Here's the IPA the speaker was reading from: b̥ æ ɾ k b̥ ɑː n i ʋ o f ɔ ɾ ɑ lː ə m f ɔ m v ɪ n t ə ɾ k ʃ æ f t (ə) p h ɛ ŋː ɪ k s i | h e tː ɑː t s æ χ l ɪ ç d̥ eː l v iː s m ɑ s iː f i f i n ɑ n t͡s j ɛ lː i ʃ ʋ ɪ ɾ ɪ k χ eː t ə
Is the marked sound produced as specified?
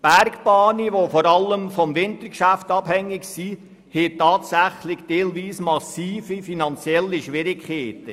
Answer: no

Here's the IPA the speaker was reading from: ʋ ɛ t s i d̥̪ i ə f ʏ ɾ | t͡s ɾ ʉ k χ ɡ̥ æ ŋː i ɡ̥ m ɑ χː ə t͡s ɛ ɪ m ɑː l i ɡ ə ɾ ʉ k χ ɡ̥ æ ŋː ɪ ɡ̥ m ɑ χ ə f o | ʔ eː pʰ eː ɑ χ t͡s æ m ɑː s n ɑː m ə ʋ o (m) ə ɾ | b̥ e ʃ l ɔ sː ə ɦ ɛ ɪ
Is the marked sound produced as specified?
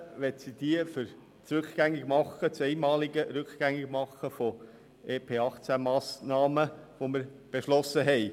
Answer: yes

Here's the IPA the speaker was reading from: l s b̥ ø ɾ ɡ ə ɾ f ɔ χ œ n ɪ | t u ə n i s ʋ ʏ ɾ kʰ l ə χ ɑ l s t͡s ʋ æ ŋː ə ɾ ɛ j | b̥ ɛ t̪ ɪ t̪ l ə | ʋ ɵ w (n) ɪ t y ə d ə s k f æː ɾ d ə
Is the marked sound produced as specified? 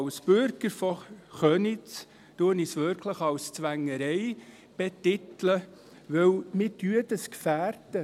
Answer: no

